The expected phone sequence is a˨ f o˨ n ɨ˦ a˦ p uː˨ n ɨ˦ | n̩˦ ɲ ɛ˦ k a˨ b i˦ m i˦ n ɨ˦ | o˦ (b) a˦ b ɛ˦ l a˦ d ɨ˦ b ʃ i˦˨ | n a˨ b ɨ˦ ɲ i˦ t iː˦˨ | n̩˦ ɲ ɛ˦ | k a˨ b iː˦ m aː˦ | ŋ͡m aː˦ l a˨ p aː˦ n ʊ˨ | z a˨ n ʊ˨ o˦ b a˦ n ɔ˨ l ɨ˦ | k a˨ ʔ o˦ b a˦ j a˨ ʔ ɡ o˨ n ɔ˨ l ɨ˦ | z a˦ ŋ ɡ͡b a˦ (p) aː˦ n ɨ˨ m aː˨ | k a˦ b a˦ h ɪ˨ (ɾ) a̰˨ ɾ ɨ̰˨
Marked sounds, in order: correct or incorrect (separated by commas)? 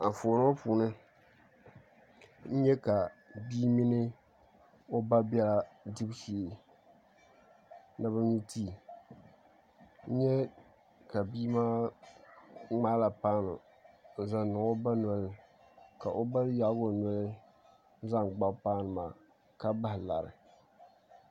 correct, correct, incorrect